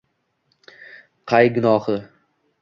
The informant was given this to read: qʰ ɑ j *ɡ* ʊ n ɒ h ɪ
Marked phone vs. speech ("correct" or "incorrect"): correct